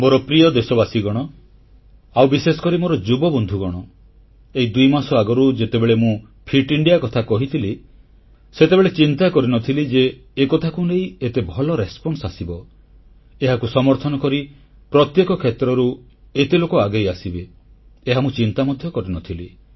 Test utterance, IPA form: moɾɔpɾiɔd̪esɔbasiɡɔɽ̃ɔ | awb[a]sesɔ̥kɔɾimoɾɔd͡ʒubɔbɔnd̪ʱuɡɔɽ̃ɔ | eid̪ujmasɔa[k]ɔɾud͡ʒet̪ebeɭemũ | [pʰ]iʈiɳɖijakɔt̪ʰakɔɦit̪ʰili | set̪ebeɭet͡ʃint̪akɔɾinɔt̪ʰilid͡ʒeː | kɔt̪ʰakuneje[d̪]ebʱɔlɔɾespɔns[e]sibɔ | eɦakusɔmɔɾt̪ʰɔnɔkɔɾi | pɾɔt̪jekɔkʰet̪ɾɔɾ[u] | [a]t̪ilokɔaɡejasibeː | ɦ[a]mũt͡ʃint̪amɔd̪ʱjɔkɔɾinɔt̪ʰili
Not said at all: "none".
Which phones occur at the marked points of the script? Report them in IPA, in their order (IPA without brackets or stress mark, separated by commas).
i, ɡ, pʰ, t̪, a, u, e, a